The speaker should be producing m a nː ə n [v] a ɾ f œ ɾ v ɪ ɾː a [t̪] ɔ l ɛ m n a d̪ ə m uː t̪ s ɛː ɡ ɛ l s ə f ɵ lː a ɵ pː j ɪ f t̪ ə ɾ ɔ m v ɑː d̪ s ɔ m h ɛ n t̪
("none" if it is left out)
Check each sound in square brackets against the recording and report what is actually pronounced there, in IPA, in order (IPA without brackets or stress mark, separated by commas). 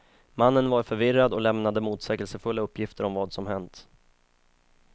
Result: v, d̪